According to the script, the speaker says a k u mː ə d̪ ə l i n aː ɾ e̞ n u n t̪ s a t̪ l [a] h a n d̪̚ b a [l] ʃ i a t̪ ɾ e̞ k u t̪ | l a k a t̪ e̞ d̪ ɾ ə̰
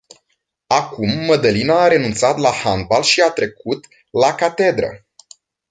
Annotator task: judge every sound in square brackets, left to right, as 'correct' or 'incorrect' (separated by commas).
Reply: correct, correct